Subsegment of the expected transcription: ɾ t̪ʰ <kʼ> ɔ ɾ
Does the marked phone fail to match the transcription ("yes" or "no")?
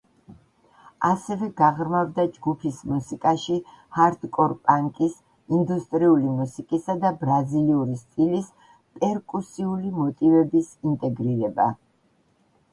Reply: no